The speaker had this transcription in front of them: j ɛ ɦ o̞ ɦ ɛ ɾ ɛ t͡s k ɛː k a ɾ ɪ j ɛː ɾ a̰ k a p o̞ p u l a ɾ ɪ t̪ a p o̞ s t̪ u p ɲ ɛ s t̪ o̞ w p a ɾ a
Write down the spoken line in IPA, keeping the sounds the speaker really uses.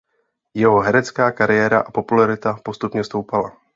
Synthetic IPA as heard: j ɛ ɦ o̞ ɦ ɛ ɾ ɛ t͡s k aː k a ɾ ɪ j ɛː ɾ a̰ ʔ a p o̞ p u l a ɾ ɪ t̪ a p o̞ s t̪ u p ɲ ɛ s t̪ o̞ w p a l a

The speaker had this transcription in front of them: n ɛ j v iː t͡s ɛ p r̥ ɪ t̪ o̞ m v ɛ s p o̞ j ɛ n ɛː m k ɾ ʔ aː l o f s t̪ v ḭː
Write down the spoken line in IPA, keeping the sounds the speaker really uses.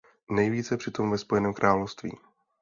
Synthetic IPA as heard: n ɛ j v iː t͡s ɛ p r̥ ɪ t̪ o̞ m v ɛ s p o̞ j ɛ n ɛː m k ɾ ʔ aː l o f s t̪ v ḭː

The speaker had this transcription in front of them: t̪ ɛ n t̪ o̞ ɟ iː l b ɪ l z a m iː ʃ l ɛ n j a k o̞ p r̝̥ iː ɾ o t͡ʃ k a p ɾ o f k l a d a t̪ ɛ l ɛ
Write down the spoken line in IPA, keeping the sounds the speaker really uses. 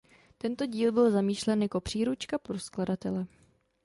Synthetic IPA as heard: t̪ ɛ n t̪ o̞ ɟ iː l b ɪ l z a m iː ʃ l ɛ n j a k o̞ p r̝̥ iː ɾ u t͡ʃ k a p ɾ o s k l a d a t̪ ɛ l ɛ

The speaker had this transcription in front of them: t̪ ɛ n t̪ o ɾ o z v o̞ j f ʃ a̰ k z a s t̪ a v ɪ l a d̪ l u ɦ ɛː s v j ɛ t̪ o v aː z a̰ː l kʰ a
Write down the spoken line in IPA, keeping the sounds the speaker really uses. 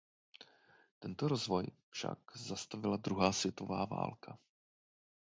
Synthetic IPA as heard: t̪ ɛ n t̪ o ɾ o z v o̞ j f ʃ a̰ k z a s t̪ a v ɪ l a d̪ ɾ u ɦ aː s v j ɛ t̪ o v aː v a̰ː l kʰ a

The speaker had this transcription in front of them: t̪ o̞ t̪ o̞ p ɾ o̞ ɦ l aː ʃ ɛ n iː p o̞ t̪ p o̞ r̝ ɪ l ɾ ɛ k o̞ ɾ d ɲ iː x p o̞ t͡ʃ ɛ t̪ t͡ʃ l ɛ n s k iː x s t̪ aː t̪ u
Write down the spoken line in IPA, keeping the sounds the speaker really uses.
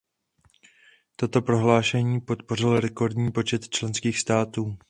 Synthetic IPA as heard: t̪ o̞ t̪ o̞ p ɾ o̞ ɦ l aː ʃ ɛ ɲ iː p o̞ t̪ p o̞ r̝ ɪ l ɾ ɛ k o̞ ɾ d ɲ iː p o̞ t͡ʃ ɛ t̪ t͡ʃ l ɛ n s k iː x s t̪ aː t̪ uː

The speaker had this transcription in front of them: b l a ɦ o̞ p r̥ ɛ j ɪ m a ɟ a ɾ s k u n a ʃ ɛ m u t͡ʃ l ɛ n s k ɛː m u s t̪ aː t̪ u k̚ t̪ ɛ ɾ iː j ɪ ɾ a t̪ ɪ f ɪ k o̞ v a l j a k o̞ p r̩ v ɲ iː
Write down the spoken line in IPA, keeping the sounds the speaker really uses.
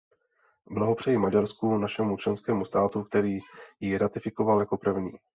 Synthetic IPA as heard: b l a ɦ o̞ p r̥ ɛ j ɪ m a ɟ a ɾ s k u n a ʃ ɛ m u t͡ʃ l ɛ n s k ɛː m u s t̪ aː t̪ u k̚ t̪ ɛ ɾ iː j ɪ ɾ a t̪ ɪ f ɪ k o̞ v a l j a k o̞ p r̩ v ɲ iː

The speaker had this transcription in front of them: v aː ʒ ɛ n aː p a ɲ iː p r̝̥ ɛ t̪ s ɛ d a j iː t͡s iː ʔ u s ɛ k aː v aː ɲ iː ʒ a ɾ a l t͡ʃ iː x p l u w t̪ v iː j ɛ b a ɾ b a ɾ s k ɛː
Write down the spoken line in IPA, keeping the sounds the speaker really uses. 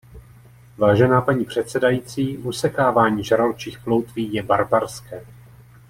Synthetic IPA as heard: v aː ʒ ɛ n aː p a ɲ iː p r̝̥ ɛ t̪ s ɛ d a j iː t͡s iː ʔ u s ɛ k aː v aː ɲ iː ʒ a ɾ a l t͡ʃ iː x p l o w t̪ v iː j ɛ b a ɾ b a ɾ s k ɛː

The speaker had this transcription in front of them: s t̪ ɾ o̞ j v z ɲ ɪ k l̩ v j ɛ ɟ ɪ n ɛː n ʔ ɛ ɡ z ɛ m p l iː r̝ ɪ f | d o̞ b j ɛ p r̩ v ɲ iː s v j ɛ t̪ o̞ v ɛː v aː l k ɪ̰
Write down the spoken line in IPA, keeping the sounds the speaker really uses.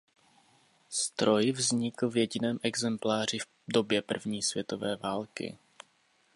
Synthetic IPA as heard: s t̪ ɾ o̞ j v z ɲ ɪ k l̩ v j ɛ ɟ ɪ n ɛː m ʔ ɛ ɡ z ɛ m p l aː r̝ ɪ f | d o̞ b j ɛ p r̩ v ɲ iː s v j ɛ t̪ o̞ v ɛː v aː l k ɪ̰

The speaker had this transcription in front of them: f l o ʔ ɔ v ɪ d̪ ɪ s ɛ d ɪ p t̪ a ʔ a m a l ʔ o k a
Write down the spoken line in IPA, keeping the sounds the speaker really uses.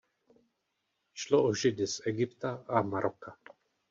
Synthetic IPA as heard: ʃ l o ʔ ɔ ʒ ɪ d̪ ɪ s ɛ ɡ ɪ p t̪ a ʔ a m a ɾ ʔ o k a

